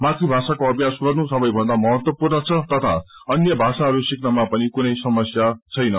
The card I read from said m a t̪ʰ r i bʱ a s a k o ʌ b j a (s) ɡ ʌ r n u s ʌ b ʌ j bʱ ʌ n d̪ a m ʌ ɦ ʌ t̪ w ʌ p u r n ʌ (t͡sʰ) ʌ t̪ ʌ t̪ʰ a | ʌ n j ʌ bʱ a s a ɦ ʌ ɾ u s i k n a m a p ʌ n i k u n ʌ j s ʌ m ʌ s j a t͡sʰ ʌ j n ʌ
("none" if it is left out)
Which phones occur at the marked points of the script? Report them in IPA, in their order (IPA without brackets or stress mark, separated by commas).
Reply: s, t͡sʰ